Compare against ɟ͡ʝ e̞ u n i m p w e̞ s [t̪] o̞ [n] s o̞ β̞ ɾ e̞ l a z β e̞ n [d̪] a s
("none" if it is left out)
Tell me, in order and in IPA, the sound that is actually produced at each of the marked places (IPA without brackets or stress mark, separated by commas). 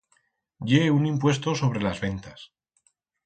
t̪, none, t̪